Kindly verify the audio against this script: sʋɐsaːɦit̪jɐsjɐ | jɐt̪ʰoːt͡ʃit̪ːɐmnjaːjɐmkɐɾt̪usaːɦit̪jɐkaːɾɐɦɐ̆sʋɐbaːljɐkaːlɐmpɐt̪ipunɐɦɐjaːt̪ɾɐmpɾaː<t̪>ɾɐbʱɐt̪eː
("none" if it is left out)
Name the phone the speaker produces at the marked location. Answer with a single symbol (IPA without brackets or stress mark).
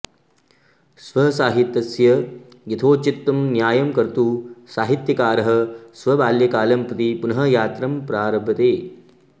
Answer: none